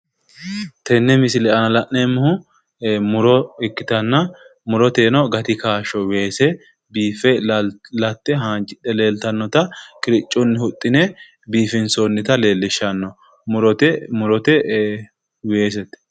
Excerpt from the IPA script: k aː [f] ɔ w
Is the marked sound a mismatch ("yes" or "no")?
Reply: yes